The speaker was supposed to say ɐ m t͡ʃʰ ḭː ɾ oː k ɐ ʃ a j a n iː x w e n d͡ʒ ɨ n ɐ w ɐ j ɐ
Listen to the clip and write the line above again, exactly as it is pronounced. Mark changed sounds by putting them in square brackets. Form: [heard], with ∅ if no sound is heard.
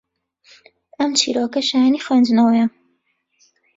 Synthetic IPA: ɐ m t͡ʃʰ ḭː ɾ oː k ɐ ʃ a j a n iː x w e n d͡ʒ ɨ n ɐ w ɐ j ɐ